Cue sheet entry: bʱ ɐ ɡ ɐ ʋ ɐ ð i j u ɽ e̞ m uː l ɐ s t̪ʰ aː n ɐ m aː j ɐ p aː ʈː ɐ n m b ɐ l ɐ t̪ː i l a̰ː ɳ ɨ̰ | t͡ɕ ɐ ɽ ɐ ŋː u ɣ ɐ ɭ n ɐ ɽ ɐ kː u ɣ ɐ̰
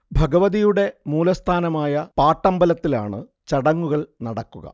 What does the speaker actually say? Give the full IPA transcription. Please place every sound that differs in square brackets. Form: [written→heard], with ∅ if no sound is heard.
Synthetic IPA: bʱ ɐ ɡ ɐ ʋ ɐ ð i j u ɽ e̞ m uː l ɐ s t̪ʰ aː n ɐ m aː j ɐ p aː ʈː ɐ [n→∅] m b ɐ l ɐ t̪ː i l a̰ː ɳ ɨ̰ | t͡ɕ ɐ ɽ ɐ ŋː u ɣ ɐ ɭ n ɐ ɽ ɐ kː u ɣ ɐ̰

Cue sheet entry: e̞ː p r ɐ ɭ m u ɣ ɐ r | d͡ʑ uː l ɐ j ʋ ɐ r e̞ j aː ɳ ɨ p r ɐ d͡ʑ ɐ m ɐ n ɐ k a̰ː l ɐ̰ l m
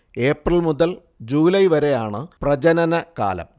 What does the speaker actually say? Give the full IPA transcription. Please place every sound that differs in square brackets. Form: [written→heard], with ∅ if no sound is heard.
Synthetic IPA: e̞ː p r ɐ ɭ m u [ɣ→ð] ɐ [r→l] | d͡ʑ uː l ɐ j ʋ ɐ [r→ɾ] e̞ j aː ɳ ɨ p r ɐ d͡ʑ ɐ [m→n] ɐ n ɐ k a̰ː l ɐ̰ [l→∅] m

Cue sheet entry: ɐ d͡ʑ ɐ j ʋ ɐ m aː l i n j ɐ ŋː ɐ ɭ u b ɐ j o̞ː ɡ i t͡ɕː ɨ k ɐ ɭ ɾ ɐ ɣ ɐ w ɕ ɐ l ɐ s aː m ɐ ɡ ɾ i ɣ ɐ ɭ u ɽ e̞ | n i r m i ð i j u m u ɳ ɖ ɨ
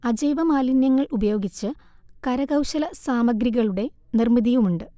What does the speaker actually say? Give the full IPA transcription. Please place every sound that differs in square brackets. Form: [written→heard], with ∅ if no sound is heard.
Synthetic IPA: ɐ d͡ʑ ɐ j ʋ ɐ m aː l i n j ɐ ŋː ɐ ɭ u b ɐ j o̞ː ɡ i t͡ɕː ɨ k ɐ [ɭ→∅] ɾ ɐ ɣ ɐ w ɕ ɐ l ɐ s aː m ɐ ɡ ɾ i ɣ ɐ ɭ u ɽ e̞ | n i r m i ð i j u m u ɳ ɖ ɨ

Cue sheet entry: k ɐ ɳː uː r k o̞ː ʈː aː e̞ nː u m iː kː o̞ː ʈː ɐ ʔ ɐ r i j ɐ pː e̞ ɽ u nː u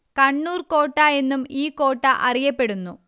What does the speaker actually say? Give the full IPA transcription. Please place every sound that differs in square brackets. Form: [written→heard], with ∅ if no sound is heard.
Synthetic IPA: k ɐ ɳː uː r k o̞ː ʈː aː e̞ nː u m iː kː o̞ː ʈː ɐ ʔ ɐ r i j ɐ pː e̞ ɽ u nː u

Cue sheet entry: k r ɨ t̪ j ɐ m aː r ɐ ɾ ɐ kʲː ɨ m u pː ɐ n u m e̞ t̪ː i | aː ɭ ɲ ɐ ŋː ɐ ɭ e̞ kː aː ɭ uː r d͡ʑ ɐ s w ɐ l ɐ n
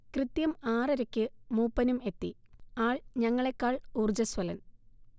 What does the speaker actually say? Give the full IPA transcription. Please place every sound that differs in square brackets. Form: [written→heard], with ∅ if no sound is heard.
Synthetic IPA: k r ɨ t̪ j ɐ m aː r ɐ ɾ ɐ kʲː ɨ m [u→uː] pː ɐ n u m e̞ t̪ː i | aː ɭ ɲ ɐ ŋː ɐ ɭ e̞ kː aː ɭ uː r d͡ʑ ɐ s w ɐ l ɐ n

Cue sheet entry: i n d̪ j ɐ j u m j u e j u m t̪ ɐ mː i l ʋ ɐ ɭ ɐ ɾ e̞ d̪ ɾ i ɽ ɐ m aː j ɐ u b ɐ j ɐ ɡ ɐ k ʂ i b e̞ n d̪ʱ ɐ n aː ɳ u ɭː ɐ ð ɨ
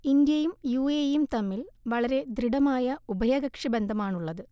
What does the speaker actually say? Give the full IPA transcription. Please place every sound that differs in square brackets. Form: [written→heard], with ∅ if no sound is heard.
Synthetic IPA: i n d̪ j ɐ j u m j u e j u m t̪ ɐ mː i l ʋ ɐ ɭ ɐ ɾ e̞ d̪ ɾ i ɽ ɐ m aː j ɐ u b ɐ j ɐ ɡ ɐ k ʂ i b e̞ n d̪ʱ ɐ [n→m] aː ɳ u ɭː ɐ ð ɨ

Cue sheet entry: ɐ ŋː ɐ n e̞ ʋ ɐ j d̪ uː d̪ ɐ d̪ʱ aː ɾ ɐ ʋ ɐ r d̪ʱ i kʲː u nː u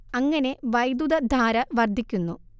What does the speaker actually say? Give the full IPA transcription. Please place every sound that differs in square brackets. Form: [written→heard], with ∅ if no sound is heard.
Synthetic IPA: ɐ ŋː ɐ n e̞ ʋ ɐ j d̪ [uː→u] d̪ ɐ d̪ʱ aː ɾ ɐ ʋ ɐ r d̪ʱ i kʲː u nː u

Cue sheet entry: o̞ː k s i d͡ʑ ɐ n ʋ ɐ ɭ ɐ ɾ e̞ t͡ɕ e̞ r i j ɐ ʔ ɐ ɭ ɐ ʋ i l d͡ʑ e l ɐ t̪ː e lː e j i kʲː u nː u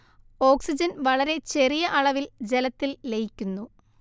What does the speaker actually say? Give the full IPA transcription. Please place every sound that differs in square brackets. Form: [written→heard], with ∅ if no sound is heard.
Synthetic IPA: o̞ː k s i d͡ʑ ɐ n ʋ ɐ ɭ ɐ ɾ e̞ t͡ɕ e̞ r i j ɐ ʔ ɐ ɭ ɐ ʋ i l d͡ʑ e l ɐ t̪ː [e→i] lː e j i kʲː u nː u

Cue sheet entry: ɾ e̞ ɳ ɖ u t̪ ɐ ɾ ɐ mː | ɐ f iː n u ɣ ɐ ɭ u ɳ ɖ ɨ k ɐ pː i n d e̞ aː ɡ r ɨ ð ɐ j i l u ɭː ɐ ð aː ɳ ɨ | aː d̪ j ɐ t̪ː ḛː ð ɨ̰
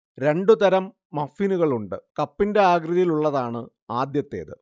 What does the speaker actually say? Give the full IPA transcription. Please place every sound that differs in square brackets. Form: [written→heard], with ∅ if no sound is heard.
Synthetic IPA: ɾ e̞ ɳ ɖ u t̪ ɐ ɾ ɐ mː | ɐ f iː n u ɣ ɐ ɭ u ɳ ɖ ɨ k ɐ pː i n d e̞ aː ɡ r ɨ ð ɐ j i l u ɭː ɐ ð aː ɳ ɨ | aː d̪ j ɐ t̪ː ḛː ð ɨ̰

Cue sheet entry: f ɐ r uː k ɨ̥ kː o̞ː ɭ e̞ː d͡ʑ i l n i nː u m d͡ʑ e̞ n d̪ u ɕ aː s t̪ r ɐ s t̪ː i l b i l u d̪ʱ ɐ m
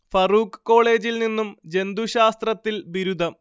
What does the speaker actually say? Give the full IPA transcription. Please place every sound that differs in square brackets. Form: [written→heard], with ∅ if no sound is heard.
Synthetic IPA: f ɐ r uː k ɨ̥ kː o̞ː ɭ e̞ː d͡ʑ i l n i nː u m d͡ʑ e̞ n d̪ u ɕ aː s t̪ r ɐ [s→∅] t̪ː i l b i [l→ɾ] u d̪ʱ ɐ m

